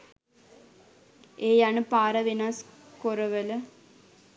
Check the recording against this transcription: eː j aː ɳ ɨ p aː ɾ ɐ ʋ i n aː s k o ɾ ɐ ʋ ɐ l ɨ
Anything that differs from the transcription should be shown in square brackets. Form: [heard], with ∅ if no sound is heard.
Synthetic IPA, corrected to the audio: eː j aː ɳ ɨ p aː ɾ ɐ ʋ i n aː s k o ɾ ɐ ʋ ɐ l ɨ